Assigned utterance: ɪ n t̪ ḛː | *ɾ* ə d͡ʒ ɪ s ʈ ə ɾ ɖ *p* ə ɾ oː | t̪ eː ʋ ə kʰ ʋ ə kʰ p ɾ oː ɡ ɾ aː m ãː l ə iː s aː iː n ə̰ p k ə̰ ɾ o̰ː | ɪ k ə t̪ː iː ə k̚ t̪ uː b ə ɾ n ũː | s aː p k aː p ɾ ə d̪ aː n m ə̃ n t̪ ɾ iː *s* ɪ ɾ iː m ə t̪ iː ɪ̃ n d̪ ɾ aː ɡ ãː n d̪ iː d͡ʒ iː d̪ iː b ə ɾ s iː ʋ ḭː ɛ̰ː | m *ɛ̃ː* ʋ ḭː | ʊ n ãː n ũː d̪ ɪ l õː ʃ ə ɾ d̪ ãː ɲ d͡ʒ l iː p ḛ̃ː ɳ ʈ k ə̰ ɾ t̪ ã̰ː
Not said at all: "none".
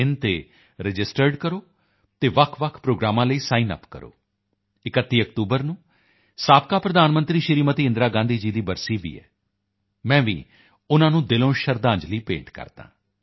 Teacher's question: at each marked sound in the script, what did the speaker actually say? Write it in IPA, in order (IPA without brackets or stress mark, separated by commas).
ɾ, k, ʃ, ɛ̃ː